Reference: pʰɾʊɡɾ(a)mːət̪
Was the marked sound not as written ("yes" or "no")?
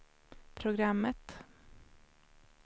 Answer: no